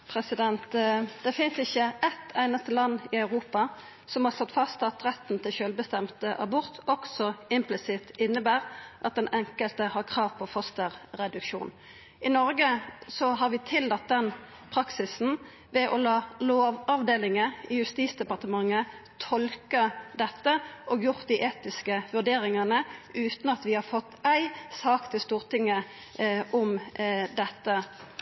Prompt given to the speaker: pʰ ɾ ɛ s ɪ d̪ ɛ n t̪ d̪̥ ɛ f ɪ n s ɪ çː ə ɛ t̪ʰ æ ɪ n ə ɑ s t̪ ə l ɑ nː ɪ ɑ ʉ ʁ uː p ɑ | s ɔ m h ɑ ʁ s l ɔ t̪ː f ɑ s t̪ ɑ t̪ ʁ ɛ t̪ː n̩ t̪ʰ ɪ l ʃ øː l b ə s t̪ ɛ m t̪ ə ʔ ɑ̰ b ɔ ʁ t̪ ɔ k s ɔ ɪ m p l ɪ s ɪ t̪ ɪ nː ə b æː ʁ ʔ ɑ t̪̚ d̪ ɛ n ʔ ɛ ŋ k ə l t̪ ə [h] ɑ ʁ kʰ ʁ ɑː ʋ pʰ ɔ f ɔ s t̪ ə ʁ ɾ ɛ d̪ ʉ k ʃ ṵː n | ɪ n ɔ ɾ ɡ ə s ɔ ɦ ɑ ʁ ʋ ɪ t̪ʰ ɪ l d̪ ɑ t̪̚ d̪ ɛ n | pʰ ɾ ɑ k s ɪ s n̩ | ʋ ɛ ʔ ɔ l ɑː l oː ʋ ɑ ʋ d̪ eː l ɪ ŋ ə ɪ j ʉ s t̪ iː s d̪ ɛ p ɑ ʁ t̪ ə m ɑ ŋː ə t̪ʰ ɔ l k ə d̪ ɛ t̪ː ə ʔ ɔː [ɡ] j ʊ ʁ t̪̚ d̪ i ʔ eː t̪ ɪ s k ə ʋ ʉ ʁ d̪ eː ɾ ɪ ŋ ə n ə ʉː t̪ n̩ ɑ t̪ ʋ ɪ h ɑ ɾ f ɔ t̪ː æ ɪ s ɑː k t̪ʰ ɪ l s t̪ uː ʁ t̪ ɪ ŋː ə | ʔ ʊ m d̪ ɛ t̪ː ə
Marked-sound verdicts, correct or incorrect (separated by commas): correct, correct